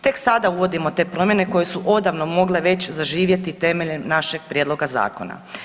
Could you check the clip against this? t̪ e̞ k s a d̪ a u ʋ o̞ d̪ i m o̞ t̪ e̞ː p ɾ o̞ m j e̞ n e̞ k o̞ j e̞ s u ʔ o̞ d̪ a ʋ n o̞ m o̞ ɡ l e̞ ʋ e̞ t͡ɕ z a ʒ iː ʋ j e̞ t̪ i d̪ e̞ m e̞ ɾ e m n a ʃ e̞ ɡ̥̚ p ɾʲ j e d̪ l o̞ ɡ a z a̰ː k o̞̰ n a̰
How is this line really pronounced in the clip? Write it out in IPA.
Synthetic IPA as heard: t̪ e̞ k s a d̪ a u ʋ o̞ d̪ i m o̞ t̪ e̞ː p ɾ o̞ m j e̞ n e̞ k o̞ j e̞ s u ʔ o̞ d̪ a ʋ n o̞ m o̞ ɡ l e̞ ʋ e̞ t͡ɕ z a ʒ iː ʋ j e̞ t̪ i t̪ e̞ m e̞ ʎ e m n a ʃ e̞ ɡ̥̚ p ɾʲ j e d̪ l o̞ ɡ a z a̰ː k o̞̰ n a̰